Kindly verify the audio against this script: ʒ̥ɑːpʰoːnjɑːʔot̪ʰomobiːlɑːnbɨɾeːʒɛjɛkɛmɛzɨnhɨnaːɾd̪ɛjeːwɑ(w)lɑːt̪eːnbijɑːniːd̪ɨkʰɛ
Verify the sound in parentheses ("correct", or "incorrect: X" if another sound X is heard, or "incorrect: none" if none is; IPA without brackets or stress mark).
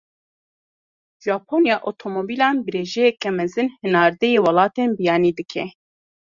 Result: incorrect: none